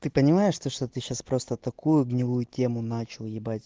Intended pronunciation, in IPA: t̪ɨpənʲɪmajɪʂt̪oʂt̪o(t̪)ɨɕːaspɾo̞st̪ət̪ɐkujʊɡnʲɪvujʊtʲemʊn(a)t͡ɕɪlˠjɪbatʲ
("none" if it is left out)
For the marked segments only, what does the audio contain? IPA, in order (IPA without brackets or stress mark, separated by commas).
t̪, a